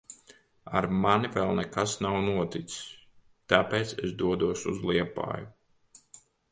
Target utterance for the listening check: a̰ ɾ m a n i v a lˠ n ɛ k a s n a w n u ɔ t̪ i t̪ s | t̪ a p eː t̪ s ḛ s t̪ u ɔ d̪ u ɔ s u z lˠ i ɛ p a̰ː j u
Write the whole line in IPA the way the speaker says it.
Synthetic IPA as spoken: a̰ ɾ m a n i v ɛ lˠ n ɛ k a s n a w n u ɔ t̪ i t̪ s | t̪ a p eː t̪ s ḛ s d̪ u ɔ d̪ u ɔ s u z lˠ i ɛ p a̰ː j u